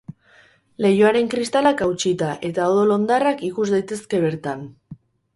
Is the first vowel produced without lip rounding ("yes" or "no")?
yes